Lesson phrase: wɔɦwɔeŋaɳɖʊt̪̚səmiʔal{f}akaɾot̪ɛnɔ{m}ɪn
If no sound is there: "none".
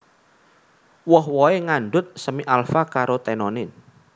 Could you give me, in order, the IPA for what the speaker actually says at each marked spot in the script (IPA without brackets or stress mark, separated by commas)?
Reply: f, n